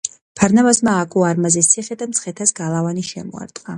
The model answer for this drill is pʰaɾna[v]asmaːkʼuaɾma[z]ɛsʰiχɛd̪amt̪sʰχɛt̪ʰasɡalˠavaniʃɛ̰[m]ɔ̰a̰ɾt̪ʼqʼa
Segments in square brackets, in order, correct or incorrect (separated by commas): correct, correct, correct